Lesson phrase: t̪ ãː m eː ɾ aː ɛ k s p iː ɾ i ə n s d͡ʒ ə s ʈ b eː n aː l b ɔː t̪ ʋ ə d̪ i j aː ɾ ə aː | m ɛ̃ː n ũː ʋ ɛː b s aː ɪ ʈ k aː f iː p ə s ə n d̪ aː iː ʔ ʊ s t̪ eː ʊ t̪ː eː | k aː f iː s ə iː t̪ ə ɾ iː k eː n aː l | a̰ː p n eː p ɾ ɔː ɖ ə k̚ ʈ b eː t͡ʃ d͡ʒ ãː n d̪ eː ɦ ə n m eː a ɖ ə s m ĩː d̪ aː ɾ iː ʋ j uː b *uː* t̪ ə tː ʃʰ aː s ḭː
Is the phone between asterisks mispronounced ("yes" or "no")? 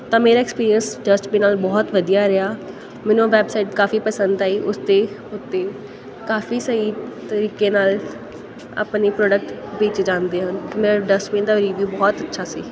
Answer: yes